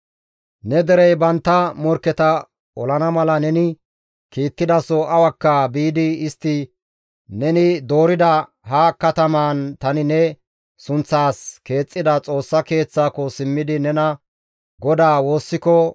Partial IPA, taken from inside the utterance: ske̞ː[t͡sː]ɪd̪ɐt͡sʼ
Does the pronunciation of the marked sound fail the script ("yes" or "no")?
yes